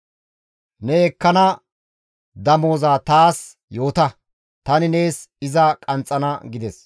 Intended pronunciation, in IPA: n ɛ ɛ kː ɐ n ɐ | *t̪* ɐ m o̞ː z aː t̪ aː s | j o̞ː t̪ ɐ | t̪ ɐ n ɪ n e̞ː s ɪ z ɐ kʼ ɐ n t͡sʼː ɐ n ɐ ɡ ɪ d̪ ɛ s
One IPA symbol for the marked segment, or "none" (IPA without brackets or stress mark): d̪